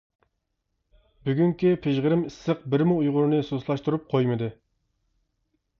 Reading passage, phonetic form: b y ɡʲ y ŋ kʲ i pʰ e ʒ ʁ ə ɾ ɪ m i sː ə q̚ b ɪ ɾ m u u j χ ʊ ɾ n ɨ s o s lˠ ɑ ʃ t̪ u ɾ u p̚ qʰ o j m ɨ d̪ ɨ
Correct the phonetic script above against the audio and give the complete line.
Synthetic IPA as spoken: b y ɡʲ y ŋ kʲ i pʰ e ʒ ʁ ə ɾ ɪ m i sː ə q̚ b ɪ ɾ m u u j ʁ ʊ ɾ n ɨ s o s lˠ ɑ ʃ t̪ u ɾ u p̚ qʰ o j m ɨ d̪ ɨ